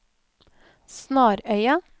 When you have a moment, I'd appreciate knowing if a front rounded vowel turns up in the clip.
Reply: yes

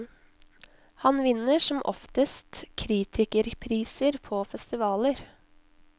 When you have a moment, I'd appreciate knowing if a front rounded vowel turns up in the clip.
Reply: no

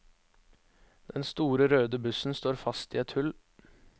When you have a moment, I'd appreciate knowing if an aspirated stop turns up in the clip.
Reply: no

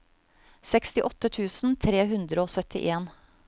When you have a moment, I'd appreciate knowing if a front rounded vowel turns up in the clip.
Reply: yes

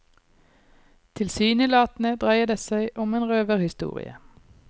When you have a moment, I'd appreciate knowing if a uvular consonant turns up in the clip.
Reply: yes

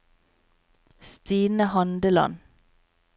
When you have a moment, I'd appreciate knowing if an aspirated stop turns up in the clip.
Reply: no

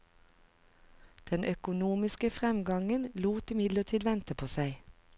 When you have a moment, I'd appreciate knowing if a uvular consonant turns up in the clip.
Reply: yes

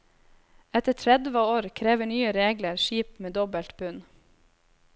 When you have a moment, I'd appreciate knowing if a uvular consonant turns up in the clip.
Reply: no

